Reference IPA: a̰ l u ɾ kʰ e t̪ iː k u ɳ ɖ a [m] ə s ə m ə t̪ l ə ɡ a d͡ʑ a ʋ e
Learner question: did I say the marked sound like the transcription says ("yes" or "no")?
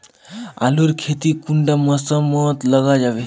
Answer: yes